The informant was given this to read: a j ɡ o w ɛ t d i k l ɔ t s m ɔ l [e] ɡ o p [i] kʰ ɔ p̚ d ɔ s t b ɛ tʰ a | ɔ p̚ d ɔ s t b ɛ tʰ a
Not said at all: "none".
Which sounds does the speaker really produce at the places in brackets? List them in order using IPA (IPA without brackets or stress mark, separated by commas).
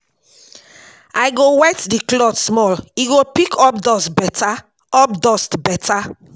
i, i